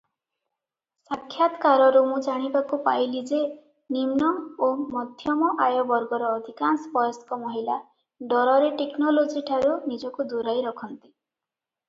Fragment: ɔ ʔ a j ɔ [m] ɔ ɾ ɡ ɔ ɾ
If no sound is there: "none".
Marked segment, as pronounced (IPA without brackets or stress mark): b